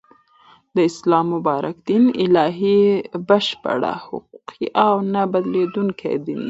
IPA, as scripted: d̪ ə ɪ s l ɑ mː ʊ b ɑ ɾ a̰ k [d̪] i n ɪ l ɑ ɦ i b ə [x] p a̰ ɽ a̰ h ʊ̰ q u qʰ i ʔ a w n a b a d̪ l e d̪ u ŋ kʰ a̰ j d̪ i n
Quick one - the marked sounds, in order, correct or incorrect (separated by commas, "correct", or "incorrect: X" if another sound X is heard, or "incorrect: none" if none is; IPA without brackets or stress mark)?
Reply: correct, incorrect: ʃ